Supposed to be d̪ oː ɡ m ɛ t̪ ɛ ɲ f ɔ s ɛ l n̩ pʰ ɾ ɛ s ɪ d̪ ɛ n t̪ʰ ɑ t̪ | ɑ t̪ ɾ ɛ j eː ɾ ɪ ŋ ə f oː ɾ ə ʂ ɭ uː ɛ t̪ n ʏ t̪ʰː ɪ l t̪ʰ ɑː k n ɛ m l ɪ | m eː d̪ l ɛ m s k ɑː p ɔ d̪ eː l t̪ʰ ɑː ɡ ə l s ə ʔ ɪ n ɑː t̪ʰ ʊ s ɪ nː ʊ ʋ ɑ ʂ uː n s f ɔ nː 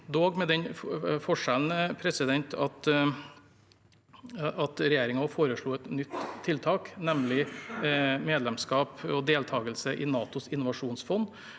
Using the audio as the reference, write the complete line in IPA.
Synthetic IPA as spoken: d̪ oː ɡ m ɛ d̪ ɛ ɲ f ɔ ʂ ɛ l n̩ pʰ ɾ ɛ s ɪ d̪ ɛ n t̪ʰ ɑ t̪ | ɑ t̪ ɾ ɛ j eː ɾ ɪ ŋ ɑ f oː ɾ ə ʂ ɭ uː ɛ t̪ n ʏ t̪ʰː ɪ l t̪ʰ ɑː k n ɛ m l ɪ | m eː d̪ l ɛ m s k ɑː p ɔ d̪ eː l t̪ʰ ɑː ɡ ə l s ə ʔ ɪ n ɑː t̪ ʊ s ɪ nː ʊ ʋ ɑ ʂ uː n s f ɔ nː